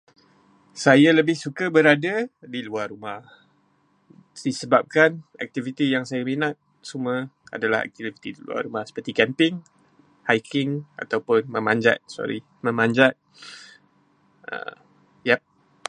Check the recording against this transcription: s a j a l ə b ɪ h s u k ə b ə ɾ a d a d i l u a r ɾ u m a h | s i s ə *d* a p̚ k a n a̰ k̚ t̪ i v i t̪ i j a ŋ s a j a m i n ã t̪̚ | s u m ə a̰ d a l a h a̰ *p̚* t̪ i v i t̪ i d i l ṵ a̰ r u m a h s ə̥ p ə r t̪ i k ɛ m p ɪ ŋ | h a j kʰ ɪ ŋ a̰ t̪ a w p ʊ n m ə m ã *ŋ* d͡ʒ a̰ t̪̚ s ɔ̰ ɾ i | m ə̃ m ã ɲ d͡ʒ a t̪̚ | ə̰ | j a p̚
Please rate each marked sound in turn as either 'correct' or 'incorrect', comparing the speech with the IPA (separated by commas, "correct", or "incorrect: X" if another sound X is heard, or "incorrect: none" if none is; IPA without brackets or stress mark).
incorrect: b, incorrect: k̚, incorrect: ɲ